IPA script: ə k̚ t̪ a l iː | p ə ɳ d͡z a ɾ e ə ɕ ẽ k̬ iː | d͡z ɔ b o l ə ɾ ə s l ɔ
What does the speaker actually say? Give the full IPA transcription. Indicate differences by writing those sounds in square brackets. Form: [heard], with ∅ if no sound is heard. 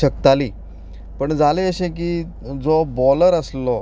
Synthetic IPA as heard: ə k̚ t̪ a l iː | p ə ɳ d͡z a [l] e ə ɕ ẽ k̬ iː | d͡z ɔ b [ɔ] l ə ɾ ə s l ɔ